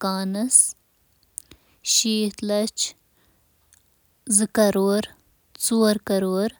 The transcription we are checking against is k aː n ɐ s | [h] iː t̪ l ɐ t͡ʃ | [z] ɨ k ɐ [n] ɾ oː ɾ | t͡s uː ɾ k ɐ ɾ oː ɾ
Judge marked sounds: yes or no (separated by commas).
no, yes, no